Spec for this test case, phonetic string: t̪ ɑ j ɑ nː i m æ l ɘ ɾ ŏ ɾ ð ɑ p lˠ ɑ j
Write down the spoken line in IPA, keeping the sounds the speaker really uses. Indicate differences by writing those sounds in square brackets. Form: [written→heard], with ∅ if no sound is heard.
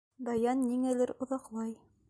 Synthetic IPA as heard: [t̪→d̪] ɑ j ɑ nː i [m→ŋ] æ l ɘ ɾ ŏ [ɾ→∅] ð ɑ [p→q] lˠ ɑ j